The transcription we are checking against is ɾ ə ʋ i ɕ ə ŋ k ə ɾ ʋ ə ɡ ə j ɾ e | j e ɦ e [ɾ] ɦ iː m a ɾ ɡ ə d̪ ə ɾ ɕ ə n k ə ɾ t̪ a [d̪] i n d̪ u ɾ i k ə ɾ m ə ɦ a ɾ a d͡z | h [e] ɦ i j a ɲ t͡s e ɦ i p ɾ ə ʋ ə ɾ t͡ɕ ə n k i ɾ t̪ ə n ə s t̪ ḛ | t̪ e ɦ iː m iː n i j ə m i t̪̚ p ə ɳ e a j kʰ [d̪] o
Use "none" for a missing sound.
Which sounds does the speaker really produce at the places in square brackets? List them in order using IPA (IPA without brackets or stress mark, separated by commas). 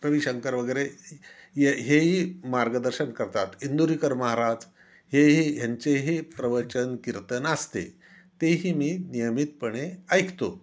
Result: none, t̪, e, t̪